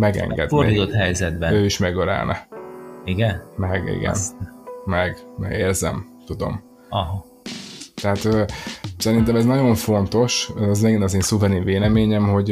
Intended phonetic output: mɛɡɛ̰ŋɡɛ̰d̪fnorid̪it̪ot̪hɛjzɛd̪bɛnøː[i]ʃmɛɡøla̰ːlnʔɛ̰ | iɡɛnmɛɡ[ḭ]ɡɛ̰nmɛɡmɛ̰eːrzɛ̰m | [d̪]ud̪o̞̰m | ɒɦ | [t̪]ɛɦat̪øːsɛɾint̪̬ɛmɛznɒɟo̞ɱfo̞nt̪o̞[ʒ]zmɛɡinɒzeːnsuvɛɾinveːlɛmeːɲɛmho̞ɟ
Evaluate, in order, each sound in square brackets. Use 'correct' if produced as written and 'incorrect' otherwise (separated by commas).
correct, correct, incorrect, correct, incorrect